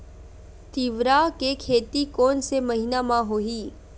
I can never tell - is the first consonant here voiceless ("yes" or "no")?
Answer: yes